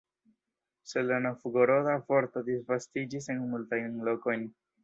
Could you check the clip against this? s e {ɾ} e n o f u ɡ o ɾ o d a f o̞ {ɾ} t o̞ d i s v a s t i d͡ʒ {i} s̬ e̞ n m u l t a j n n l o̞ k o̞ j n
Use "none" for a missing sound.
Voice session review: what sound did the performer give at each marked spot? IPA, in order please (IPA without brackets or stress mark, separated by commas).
l, ɾ, i